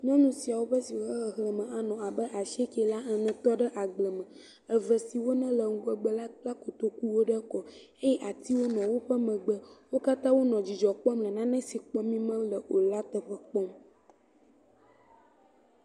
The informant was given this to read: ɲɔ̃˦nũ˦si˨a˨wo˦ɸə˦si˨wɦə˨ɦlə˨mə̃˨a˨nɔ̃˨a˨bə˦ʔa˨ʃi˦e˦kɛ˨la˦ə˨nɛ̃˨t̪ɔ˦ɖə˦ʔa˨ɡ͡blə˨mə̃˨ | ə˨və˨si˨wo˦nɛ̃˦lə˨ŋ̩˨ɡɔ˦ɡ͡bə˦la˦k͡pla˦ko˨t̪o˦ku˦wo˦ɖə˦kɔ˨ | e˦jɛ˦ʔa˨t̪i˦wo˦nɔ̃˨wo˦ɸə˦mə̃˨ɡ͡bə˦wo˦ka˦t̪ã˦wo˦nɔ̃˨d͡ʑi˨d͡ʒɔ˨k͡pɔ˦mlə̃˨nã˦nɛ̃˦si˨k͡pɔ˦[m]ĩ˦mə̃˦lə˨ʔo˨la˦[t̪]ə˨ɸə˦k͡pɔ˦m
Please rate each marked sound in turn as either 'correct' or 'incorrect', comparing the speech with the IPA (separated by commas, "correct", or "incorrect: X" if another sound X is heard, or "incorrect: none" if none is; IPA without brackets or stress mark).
correct, correct